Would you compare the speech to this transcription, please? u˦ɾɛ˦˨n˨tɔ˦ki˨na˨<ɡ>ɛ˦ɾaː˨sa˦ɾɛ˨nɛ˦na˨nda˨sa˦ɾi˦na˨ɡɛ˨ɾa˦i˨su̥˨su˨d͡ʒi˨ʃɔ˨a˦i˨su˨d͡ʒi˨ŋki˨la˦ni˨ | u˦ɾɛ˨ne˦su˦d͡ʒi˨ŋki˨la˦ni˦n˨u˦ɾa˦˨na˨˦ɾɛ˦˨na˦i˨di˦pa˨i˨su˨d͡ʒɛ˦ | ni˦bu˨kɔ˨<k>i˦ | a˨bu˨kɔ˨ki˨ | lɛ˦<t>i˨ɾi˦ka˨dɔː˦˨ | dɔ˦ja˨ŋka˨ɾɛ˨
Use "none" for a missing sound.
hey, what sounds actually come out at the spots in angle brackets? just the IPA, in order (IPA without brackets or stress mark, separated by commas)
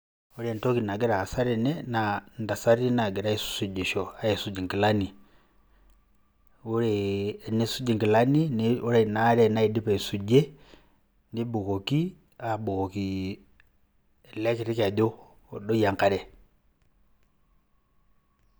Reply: ɡ, k, k